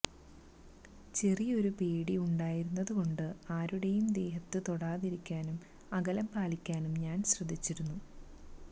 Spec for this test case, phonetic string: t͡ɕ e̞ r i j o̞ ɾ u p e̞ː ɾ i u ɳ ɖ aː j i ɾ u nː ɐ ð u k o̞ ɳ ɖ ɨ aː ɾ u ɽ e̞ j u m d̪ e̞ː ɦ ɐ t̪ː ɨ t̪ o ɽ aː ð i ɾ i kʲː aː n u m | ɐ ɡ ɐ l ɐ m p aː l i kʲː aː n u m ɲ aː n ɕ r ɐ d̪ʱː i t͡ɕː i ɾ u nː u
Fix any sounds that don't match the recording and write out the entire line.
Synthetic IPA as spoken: t͡ɕ e̞ r i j o̞ ɾ u p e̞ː ɽ i u ɳ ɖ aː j i ɾ u nː ɐ ð u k o̞ ɳ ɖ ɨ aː ɾ u ɽ e̞ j u m d̪ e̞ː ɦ ɐ t̪ː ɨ t̪ o ɽ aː ð i ɾ i kʲː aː n u m | ɐ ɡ ɐ l ɐ m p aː l i kʲː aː n u m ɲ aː n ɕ r ɐ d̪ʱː i t͡ɕː i ɾ u nː u

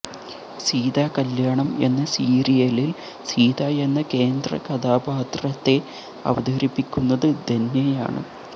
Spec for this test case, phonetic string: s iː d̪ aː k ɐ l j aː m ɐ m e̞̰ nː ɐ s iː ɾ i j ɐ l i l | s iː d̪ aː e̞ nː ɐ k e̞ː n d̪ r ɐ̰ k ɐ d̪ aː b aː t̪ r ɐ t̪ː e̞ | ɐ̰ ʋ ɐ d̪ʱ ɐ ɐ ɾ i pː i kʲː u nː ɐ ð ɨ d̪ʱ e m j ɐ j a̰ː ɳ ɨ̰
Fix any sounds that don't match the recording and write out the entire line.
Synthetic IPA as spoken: s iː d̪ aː k ɐ l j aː ɳ ɐ m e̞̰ nː ɐ s iː ɾ i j ɐ l i l | s iː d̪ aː e̞ nː ɐ k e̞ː n d̪ r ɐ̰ k ɐ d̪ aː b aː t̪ r ɐ t̪ː e̞ | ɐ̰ ʋ ɐ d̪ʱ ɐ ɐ ɾ i pː i kʲː u nː ɐ ð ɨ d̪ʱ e n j ɐ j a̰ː ɳ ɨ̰

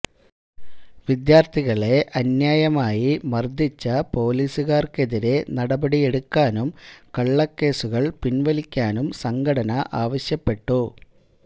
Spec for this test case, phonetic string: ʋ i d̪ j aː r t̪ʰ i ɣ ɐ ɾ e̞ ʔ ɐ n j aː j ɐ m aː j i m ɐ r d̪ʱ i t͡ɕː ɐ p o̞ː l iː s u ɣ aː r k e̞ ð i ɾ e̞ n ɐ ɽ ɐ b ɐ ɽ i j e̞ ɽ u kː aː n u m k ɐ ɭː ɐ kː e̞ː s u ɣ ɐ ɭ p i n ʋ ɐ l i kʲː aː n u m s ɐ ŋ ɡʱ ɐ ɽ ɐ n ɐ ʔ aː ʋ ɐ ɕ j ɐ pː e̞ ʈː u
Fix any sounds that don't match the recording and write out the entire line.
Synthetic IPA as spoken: ʋ i d̪ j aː r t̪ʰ i ɣ ɐ ɭ e̞ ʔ ɐ n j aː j ɐ m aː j i m ɐ r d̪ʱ i t͡ɕː ɐ p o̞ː l iː s u ɣ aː r k e̞ ð i ɾ e̞ n ɐ ɽ ɐ b ɐ ɽ i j e̞ ɽ u kː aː n u m k ɐ ɭː ɐ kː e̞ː s u ɣ ɐ ɭ p i n ʋ ɐ l i kʲː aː n u m s ɐ ŋ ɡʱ ɐ ɽ ɐ n ɐ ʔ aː ʋ ɐ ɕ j ɐ pː e̞ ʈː u

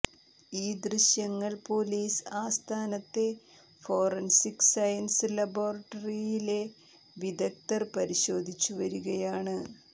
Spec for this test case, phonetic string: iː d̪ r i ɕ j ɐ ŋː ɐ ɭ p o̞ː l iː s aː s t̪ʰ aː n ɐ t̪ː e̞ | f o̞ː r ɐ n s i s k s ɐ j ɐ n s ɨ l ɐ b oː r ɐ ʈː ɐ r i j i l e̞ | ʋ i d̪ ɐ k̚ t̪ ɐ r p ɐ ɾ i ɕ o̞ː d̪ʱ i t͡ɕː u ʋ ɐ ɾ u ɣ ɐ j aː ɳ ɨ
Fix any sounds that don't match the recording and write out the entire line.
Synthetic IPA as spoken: iː d̪ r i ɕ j ɐ ŋː ɐ ɭ p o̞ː l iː s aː s t̪ʰ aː n ɐ t̪ː e̞ | f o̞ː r ɐ n s i k s ɐ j ɐ n s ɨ l ɐ b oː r ɐ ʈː ɐ r i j i l e̞ | ʋ i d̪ ɐ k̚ t̪ ɐ r p ɐ ɾ i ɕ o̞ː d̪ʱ i t͡ɕː u ʋ ɐ ɾ u ɣ ɐ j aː ɳ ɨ

